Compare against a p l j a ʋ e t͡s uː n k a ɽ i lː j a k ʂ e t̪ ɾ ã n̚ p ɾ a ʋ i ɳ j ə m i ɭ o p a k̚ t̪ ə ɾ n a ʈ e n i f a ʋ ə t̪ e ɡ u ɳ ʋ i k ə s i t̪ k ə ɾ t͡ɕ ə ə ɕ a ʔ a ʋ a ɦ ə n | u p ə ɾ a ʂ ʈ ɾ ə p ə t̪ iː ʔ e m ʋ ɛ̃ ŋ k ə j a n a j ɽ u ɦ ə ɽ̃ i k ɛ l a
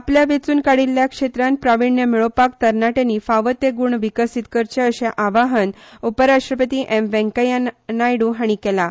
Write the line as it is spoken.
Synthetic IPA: a p l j a ʋ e t͡s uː n k a ɽ i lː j a k ʂ e t̪ ɾ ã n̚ p ɾ a ʋ i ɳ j ə m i ɭ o p a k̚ t̪ ə ɾ n a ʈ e n i f a ʋ ə t̪ e ɡ u ɳ ʋ i k ə s i t̪ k ə ɾ t͡ɕ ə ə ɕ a ʔ a ʋ a ɦ ə n | u p ə ɾ a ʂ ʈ ɾ ə p ə t̪ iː ʔ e m ʋ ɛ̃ ŋ k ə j a n a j ɽ u ɦ a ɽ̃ i k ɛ l a